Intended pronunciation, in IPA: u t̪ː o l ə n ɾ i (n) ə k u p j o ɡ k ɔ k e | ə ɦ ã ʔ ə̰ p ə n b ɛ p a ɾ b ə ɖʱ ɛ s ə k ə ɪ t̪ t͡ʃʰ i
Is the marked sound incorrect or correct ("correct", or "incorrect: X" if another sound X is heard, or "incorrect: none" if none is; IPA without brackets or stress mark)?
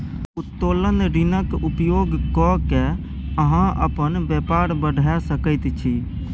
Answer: correct